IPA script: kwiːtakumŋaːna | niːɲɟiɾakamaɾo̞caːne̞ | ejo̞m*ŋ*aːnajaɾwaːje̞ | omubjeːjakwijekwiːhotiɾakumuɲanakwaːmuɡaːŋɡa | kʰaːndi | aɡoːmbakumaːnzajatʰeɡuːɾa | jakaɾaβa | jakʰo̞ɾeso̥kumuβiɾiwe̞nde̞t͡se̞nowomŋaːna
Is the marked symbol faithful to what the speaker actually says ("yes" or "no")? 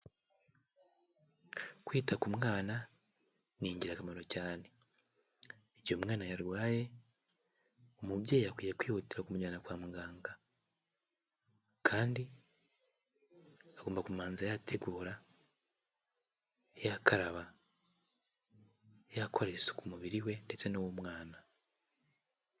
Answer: yes